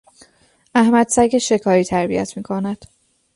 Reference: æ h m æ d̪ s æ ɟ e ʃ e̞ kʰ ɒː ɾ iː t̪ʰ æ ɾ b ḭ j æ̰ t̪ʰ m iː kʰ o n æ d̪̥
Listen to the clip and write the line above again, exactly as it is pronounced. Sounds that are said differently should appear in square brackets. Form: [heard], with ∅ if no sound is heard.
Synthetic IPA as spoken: æ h m æ d̪ s æ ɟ e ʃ e̞ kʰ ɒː ɾ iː t̪ʰ æ ɾ b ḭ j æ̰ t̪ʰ m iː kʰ o n æ d̪̥